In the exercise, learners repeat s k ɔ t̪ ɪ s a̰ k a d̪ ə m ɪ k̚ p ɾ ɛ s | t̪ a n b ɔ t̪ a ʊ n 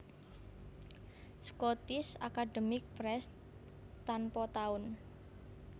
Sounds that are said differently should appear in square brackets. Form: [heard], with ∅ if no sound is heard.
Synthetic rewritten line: s k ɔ t̪ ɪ s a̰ k a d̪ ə m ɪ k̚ p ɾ ɛ s | t̪ a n [p] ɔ t̪ a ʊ n